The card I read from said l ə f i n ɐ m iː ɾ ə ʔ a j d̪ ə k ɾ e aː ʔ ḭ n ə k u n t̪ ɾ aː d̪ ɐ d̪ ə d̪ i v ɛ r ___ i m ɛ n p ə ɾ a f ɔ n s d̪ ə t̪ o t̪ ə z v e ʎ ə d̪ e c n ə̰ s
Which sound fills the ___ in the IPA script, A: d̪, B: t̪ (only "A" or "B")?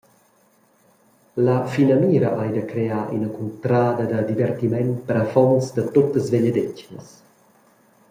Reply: B